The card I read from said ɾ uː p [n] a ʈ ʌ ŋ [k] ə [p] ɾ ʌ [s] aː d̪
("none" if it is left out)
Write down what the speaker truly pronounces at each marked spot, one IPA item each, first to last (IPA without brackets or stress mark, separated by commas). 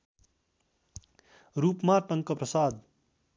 m, k, p, s